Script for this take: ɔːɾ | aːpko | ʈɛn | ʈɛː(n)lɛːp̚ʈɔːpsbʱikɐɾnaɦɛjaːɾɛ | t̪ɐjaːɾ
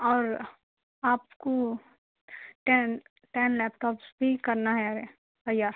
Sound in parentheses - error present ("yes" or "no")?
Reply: no